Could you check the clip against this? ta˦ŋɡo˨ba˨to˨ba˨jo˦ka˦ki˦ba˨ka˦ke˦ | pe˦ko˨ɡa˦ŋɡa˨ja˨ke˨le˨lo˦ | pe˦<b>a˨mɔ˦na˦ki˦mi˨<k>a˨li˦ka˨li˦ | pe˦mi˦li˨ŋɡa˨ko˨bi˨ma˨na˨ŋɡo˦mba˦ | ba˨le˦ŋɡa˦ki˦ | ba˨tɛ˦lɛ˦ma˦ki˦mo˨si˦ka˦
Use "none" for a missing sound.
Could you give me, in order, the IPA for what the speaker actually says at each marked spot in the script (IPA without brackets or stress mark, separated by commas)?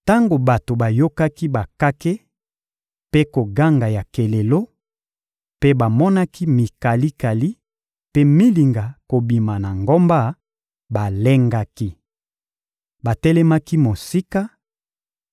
b, k